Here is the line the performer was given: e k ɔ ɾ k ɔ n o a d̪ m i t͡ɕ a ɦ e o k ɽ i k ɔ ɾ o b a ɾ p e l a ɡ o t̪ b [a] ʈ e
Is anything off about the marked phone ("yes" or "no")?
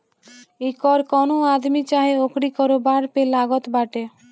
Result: no